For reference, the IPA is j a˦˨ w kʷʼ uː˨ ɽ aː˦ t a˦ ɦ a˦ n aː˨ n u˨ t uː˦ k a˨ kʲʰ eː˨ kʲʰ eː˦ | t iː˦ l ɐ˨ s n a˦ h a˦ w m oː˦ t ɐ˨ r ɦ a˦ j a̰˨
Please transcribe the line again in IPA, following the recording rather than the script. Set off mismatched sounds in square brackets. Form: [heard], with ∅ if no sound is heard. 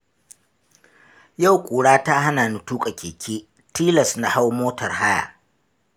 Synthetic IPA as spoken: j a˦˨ w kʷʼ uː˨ ɽ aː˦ t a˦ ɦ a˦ n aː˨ n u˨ t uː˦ [kʼ] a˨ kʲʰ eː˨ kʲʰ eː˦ | t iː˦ l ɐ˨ s n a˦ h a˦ w m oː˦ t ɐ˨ r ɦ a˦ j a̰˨

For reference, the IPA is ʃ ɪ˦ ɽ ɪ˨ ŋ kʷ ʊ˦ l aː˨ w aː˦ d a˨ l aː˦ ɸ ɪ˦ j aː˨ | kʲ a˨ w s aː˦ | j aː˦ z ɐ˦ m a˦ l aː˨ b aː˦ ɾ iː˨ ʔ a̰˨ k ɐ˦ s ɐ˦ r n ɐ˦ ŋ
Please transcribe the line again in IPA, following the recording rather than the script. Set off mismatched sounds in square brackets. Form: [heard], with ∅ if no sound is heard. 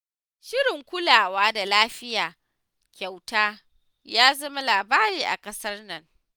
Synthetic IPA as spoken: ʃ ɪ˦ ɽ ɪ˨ ŋ kʷ ʊ˦ l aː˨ w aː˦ d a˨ l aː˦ ɸ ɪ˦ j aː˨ | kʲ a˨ w [t] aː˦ | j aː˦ z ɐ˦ m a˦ l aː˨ b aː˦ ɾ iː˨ ʔ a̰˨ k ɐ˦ s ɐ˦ r n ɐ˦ ŋ

